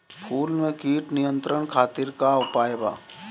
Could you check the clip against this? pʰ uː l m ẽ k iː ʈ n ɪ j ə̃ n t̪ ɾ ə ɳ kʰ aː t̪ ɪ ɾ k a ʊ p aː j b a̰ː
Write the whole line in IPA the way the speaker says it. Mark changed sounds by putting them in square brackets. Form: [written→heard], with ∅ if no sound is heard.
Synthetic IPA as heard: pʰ uː l m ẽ k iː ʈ n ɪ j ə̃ n t̪ ɾ ə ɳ kʰ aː t̪ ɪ ɾ k a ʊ p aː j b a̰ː